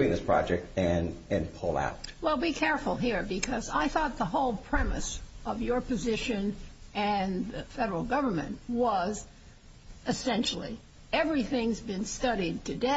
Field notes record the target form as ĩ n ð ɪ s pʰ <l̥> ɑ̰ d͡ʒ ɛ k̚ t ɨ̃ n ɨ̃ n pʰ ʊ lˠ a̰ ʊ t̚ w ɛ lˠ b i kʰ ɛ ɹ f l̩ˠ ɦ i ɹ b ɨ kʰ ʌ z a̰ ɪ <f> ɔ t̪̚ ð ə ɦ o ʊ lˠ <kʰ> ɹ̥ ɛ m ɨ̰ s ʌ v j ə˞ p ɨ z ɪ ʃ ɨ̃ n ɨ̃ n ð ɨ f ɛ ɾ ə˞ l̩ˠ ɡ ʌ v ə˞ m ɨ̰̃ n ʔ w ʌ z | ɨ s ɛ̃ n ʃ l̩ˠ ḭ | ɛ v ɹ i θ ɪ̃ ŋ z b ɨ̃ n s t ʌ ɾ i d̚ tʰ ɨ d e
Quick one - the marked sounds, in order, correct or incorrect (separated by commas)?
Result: incorrect, incorrect, incorrect